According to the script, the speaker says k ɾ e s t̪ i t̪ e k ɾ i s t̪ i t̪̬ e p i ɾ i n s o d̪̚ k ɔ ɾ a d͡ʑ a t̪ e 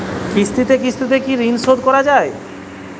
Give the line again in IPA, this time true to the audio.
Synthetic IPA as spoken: k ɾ i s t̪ i t̪ e k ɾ i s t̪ i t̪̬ e k i ɾ i n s o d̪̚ k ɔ ɾ a d͡ʑ a e